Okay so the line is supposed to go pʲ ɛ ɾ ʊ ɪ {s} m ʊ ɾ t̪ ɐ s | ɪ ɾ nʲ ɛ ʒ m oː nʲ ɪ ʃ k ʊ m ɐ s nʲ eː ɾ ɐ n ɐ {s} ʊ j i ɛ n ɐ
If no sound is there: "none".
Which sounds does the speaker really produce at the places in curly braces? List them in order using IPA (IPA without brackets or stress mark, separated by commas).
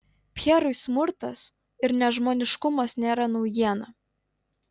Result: s, none